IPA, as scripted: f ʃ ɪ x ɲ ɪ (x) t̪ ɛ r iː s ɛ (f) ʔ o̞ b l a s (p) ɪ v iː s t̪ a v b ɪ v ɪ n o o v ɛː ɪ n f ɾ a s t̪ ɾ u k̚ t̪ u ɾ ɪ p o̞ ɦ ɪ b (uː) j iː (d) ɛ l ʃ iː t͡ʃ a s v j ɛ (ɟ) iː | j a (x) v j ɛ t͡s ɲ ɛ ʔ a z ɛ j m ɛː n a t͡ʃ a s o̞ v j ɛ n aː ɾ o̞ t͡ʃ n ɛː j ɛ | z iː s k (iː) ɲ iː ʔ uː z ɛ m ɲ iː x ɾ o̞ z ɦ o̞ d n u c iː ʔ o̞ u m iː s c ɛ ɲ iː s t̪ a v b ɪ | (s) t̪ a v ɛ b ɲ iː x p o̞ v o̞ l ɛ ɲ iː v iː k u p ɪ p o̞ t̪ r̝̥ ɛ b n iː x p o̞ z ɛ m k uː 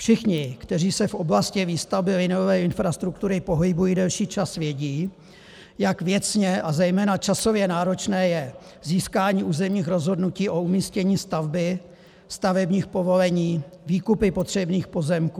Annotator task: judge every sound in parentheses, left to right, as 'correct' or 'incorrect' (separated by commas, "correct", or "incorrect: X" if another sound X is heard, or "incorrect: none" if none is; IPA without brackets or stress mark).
incorrect: k, correct, incorrect: c, incorrect: u, correct, correct, incorrect: k, incorrect: aː, correct